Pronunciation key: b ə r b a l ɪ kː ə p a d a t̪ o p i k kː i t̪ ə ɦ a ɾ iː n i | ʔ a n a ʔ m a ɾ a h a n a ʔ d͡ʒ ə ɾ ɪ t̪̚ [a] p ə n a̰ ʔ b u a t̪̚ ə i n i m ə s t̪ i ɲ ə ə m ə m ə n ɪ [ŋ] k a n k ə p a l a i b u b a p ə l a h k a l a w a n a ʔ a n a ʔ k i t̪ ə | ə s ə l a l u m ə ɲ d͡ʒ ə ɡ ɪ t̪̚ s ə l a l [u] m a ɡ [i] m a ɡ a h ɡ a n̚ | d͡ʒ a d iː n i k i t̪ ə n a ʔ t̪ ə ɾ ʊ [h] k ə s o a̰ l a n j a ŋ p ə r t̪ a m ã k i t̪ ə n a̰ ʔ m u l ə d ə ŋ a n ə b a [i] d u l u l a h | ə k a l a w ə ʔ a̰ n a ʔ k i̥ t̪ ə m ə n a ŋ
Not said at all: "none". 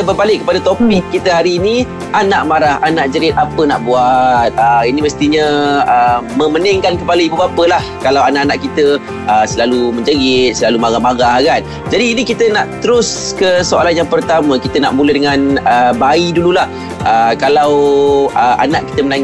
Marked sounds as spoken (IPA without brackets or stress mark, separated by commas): a, ŋ, u, a, s, i